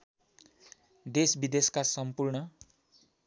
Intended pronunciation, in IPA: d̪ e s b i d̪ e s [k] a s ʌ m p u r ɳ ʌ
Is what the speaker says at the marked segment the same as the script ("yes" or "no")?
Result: yes